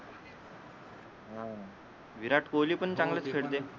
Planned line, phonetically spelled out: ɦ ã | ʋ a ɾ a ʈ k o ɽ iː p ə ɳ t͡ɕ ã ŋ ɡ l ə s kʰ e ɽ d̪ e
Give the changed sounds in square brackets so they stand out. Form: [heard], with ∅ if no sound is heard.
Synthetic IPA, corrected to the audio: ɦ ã | ʋ [i] ɾ a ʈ k o [l] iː p ə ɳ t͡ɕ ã ŋ ɡ l ə [t͡s] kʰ e ɽ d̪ e